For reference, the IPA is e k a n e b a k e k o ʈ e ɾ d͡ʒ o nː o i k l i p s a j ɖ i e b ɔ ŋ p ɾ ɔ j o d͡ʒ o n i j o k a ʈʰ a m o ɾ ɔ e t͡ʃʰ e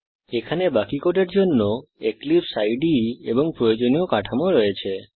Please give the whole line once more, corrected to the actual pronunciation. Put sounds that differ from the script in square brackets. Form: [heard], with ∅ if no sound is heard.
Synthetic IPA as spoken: e [kʰ] a n e b a k [i] k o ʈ e ɾ d͡ʒ o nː o [e] k l i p s a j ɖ i e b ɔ ŋ p ɾ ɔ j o d͡ʒ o n i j o k a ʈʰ a m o ɾ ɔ e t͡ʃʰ e